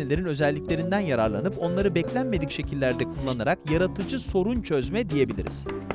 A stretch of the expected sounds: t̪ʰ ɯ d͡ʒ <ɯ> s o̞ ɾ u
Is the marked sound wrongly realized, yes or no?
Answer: no